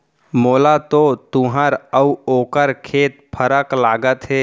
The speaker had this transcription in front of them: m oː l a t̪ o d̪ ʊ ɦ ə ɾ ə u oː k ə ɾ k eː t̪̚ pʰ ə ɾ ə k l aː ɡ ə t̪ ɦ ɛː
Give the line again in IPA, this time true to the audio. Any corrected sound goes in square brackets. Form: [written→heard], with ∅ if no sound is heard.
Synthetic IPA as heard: m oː l a t̪ o [d̪→t̪] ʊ ɦ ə ɾ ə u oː k ə ɾ [k→kʰ] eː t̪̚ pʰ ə ɾ ə k l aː ɡ ə t̪ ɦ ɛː